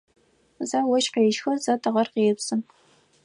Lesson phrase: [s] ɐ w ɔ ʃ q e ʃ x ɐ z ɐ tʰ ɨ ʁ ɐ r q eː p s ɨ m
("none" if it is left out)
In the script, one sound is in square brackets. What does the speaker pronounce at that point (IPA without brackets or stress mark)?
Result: z